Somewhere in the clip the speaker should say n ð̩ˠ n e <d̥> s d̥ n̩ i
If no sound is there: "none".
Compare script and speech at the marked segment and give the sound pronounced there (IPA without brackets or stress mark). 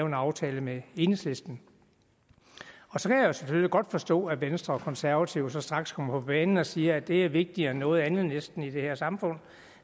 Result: none